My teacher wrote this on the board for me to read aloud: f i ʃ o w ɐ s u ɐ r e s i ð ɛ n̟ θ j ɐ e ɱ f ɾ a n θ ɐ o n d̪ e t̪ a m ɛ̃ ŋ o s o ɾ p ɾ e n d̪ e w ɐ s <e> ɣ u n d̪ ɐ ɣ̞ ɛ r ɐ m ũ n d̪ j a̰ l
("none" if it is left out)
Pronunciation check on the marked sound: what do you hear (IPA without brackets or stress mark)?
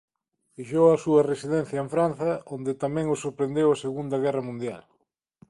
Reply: e